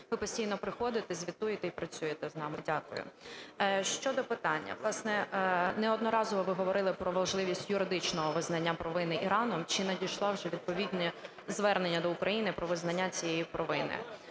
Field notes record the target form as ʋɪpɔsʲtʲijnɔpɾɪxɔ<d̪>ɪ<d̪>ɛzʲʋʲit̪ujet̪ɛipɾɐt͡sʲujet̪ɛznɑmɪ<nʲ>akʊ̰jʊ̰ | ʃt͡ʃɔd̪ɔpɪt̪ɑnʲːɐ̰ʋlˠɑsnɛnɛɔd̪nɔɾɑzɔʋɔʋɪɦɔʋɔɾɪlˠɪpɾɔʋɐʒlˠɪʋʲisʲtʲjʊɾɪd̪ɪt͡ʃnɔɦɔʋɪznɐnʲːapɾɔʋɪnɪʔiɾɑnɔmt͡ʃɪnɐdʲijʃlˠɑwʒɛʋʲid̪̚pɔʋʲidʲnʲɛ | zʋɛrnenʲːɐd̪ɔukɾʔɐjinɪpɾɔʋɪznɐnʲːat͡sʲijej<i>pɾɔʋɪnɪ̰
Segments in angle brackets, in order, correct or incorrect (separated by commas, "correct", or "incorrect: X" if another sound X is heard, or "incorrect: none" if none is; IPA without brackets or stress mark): correct, incorrect: t̪, incorrect: dʲ, correct